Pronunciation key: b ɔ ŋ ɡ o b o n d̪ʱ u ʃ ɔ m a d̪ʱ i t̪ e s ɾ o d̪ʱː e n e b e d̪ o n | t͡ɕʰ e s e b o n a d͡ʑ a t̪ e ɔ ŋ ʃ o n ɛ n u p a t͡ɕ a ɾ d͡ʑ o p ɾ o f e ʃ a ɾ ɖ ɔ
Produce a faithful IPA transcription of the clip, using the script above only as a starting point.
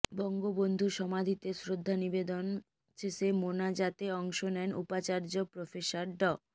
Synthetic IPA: b ɔ ŋ ɡ o b o n d̪ʱ u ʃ ɔ m a d̪ʱ i t̪ e s ɾ o d̪ʱː a n i b e d̪ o n | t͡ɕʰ e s e m o n a d͡ʑ a t̪ e ɔ ŋ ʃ o n ɛ n u p a t͡ɕ a ɾ d͡ʑ o p ɾ o f e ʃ a ɾ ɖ ɔ